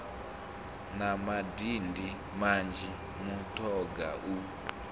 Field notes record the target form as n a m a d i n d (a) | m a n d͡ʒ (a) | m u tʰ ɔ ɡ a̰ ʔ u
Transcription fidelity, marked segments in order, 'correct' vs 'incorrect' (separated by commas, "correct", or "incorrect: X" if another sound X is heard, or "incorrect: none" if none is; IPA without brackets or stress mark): incorrect: i, incorrect: i